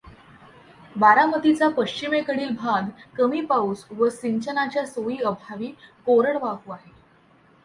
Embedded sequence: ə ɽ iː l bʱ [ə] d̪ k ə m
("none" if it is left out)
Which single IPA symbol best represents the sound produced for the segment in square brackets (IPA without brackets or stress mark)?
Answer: a